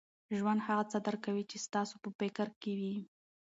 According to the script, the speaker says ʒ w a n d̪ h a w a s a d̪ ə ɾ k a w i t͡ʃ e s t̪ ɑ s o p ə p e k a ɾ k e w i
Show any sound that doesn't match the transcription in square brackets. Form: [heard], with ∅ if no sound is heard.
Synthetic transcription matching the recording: ʒ w a n d̪ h a [ɣ] a [t͡s] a d̪ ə ɾ k a w i t͡ʃ e s t̪ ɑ s o p ə p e k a ɾ k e w i